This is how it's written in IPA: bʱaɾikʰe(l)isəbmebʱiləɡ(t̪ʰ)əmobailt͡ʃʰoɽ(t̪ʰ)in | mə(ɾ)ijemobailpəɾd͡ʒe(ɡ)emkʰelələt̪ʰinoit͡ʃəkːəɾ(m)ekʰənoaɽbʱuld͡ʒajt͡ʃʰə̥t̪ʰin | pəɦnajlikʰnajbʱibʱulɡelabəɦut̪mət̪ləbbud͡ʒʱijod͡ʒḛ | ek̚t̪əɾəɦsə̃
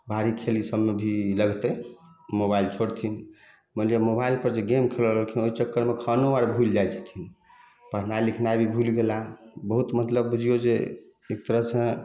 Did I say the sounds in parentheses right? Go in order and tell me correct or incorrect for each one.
correct, incorrect: t̪, correct, incorrect: l, correct, correct

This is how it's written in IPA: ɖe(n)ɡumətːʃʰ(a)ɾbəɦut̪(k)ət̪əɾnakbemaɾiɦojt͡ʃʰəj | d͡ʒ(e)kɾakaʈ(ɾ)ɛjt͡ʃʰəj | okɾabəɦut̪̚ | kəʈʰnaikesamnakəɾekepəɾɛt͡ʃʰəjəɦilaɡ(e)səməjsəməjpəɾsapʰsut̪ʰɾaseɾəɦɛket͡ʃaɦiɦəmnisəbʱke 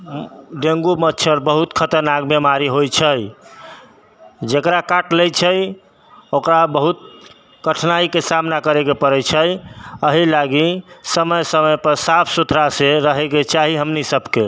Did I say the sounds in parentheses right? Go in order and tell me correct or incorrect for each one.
incorrect: ŋ, incorrect: ə, incorrect: kʰ, correct, incorrect: l, incorrect: i

